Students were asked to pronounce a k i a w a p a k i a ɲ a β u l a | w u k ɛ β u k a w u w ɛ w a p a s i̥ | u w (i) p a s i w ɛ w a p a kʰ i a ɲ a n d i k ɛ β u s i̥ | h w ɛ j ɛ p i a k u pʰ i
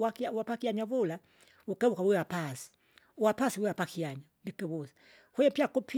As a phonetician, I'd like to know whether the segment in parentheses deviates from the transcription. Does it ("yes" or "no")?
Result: yes